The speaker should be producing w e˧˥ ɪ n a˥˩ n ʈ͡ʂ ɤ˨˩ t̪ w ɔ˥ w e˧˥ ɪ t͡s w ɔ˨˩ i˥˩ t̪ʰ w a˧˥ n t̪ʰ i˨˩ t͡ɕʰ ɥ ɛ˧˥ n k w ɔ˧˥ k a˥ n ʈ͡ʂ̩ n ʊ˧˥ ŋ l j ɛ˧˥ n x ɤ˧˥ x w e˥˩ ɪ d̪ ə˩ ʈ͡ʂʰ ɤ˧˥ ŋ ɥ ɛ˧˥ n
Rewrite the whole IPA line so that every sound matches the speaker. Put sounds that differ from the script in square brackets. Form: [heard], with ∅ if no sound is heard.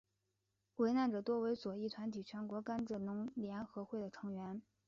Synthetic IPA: w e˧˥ ɪ n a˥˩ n ʈ͡ʂ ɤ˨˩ t̪ w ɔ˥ w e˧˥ ɪ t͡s w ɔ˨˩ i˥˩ t̪ʰ w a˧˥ n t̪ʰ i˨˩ t͡ɕʰ ɥ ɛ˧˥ n k w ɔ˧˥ k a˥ n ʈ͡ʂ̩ n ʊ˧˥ ŋ l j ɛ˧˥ n x ɤ˧˥ x w e˥˩ ɪ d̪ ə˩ ʈ͡ʂʰ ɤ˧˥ ŋ ɥ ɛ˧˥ n